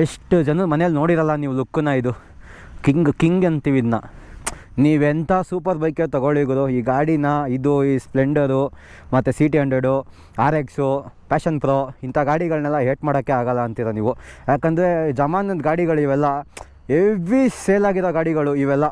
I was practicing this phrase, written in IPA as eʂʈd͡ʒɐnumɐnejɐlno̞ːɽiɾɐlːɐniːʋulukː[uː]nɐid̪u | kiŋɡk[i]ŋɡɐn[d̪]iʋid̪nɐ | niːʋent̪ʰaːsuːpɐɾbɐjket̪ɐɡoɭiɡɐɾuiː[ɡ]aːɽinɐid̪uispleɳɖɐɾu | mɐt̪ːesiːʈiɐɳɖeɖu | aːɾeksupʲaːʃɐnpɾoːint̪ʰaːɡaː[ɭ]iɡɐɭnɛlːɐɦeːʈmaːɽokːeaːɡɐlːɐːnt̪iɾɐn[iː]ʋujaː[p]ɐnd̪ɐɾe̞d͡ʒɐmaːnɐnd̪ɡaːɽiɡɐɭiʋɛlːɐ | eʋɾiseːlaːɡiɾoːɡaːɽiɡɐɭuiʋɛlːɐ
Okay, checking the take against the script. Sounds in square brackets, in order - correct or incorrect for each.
incorrect: u, correct, incorrect: t̪, correct, incorrect: ɽ, correct, incorrect: k

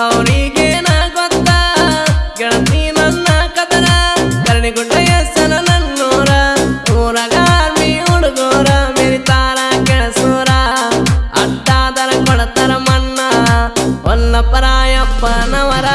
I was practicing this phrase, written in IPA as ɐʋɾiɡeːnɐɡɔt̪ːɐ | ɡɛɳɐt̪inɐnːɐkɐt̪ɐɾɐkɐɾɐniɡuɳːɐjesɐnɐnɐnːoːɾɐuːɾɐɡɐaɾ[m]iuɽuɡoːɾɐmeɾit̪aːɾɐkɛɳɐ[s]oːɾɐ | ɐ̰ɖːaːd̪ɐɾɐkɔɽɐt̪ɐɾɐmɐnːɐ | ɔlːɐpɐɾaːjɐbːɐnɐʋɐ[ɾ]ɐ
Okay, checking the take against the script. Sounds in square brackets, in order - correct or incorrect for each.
correct, correct, correct

